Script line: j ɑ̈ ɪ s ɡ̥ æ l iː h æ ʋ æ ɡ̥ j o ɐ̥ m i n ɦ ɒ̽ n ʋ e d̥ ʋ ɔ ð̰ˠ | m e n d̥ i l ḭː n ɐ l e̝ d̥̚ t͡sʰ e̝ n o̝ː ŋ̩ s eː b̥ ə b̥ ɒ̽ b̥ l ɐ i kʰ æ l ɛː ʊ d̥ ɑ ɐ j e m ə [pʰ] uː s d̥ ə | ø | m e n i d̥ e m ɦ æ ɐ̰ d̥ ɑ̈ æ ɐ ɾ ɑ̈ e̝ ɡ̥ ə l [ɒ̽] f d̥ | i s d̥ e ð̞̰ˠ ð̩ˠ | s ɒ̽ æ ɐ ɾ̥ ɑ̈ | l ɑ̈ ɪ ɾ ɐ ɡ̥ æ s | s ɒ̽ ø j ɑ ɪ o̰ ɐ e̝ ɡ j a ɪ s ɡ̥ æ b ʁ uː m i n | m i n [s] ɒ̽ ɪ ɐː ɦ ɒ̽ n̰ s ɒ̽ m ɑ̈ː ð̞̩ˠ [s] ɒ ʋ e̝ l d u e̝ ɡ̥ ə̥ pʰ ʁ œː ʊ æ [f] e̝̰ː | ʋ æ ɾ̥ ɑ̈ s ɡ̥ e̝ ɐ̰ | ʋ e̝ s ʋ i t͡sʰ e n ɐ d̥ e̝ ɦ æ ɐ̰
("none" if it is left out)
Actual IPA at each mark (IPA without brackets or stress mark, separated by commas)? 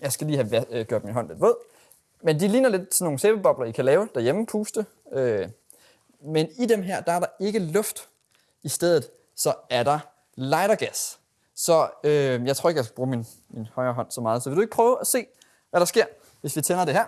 pʰ, ɔ̽, h, s, s